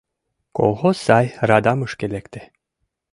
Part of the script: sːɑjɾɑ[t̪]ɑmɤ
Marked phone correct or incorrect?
incorrect